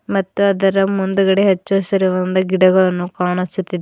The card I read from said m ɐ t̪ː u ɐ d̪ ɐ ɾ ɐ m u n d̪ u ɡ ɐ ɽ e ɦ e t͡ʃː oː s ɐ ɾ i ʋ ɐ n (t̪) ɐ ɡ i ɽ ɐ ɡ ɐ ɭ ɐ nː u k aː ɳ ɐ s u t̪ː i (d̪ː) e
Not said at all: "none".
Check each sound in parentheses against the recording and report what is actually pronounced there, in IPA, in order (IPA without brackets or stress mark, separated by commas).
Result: d̪, d̪